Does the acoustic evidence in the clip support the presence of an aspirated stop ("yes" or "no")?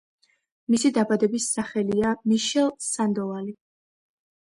no